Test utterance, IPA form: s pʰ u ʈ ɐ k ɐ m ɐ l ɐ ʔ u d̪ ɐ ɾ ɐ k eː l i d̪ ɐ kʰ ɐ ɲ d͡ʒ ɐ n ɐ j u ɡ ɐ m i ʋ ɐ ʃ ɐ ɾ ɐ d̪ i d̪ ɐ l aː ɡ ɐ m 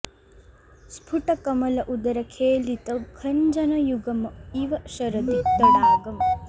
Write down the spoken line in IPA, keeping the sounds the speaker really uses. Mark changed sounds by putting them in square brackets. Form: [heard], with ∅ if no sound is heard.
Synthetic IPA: s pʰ u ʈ ɐ k ɐ m ɐ l ɐ ʔ u d̪ ɐ ɾ ɐ [kʰ] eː l i [t̪] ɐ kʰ ɐ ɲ d͡ʒ ɐ n ɐ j u ɡ ɐ m i ʋ ɐ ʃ ɐ ɾ ɐ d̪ i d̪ ɐ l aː ɡ ɐ m